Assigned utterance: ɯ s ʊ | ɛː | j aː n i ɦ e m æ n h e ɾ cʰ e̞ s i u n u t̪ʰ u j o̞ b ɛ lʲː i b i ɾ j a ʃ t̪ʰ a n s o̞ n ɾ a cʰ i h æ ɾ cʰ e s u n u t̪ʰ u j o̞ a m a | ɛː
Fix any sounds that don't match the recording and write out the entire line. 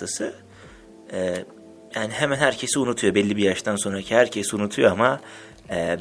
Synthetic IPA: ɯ s ɯ | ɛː | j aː n i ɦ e m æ n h æ ɾ cʰ e̞ s i u n u t̪ʰ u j o̞ b ɛ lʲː i b i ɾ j a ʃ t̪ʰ a n s o̞ n ɾ a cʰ i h æ ɾ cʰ e s u n u t̪ʰ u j o̞ a m a | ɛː